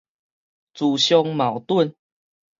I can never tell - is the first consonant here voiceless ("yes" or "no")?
yes